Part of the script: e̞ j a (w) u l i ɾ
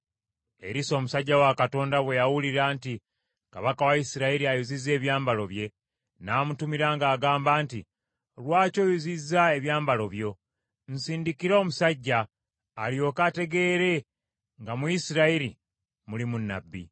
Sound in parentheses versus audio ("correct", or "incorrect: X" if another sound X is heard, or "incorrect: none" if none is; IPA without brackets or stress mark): correct